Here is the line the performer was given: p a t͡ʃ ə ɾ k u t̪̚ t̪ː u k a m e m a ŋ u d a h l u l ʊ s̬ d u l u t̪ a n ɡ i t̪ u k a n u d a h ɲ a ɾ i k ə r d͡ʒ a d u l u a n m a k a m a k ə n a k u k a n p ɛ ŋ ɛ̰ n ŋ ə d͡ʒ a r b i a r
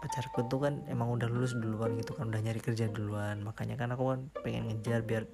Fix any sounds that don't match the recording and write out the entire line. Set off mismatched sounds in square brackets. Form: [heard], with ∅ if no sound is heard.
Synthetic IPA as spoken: p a t͡ʃ [a] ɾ k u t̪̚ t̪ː u k a [n] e m a ŋ u d a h l u l ʊ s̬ d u l u [∅] a n ɡ i t̪ u k a n u d a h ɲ a ɾ i k ə r d͡ʒ a d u l u a n m a k a [ɲ] a k [a] n a k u k a n p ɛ ŋ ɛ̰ n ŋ ə d͡ʒ a r b i a r